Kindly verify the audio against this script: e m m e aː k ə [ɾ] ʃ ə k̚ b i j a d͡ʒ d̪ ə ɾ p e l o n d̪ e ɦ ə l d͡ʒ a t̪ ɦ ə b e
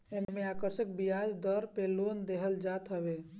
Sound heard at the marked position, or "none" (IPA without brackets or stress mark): ɾ